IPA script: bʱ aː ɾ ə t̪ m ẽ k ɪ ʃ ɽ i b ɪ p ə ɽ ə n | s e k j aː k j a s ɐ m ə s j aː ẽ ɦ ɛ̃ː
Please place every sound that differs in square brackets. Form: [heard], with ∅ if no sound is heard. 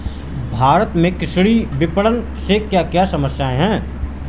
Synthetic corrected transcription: bʱ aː ɾ ə t̪ m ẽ k ɪ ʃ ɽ i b ɪ p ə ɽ ə n | s e k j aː k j a s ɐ m ə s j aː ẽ ɦ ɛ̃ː